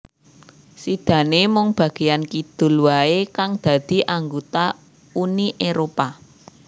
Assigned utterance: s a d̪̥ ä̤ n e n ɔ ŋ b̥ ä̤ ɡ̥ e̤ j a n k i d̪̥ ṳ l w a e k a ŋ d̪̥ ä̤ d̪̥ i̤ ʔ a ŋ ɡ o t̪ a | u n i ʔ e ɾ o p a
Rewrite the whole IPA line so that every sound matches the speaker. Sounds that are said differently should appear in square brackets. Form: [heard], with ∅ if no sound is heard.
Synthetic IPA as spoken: s [i] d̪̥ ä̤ n e [m] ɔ ŋ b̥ ä̤ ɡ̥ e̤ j a n k i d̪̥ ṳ l w a e k a ŋ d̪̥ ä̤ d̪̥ i̤ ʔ a ŋ ɡ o t̪ a | u n i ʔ e ɾ o p a

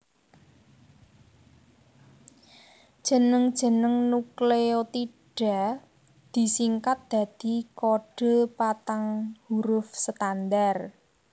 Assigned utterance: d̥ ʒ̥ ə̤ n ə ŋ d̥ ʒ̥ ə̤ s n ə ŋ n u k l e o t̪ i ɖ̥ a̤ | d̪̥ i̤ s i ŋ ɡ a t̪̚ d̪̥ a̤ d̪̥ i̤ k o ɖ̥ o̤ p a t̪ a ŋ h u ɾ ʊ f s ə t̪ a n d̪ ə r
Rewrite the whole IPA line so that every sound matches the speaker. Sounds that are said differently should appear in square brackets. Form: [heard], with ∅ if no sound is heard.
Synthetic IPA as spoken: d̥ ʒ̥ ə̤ n ə ŋ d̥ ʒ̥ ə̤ [∅] n ə ŋ n u k l e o t̪ i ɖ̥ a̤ | d̪̥ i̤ s i ŋ [k] a t̪̚ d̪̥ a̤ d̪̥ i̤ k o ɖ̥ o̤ p a t̪ a ŋ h u ɾ ʊ f s ə t̪ a n d̪ [a] r

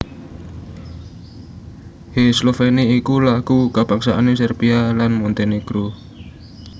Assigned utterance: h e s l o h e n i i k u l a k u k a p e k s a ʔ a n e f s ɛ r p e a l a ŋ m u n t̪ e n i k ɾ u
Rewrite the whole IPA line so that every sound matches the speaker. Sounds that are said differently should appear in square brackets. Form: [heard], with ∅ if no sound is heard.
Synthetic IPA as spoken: h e s l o [f] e n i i k u l a k u k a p [a] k s a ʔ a n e [∅] s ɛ r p [i] a l a [n] m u n t̪ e n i k ɾ u

